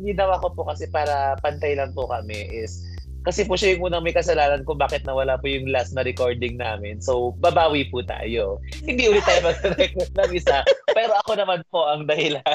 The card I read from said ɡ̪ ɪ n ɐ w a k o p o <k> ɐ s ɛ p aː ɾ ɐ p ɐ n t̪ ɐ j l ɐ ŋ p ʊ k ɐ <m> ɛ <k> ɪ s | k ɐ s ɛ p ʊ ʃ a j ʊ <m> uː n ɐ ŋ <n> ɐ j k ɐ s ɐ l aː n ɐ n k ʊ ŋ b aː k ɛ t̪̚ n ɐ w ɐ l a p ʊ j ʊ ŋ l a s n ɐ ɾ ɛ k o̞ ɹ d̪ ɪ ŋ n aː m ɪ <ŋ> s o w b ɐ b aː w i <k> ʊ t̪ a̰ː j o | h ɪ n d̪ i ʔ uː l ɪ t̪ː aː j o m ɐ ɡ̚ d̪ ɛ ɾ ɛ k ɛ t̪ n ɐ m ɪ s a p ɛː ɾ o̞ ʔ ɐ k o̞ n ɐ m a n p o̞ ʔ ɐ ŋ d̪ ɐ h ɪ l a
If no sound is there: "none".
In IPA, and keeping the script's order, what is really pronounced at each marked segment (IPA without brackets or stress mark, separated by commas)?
k, m, ʔ, ŋ, m, n, p